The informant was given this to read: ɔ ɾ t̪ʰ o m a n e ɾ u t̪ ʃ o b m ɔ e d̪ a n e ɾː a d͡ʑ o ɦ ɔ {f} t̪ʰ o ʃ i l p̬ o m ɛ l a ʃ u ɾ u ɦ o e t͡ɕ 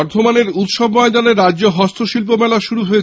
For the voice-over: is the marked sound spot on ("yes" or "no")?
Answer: no